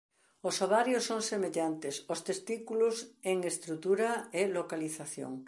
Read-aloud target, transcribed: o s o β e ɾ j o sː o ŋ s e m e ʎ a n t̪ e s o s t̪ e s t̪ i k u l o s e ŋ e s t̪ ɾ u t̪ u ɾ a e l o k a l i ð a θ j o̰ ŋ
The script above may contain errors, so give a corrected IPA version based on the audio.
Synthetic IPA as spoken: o s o β a ɾ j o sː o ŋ s e m e ʎ a n t̪ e s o s t̪ e s t̪ i k u l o s e ŋ e s t̪ ɾ u t̪ u ɾ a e l o k a l i θ a θ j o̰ ŋ